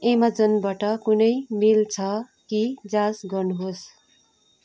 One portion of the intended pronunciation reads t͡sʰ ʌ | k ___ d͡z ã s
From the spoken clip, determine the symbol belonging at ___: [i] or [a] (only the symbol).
i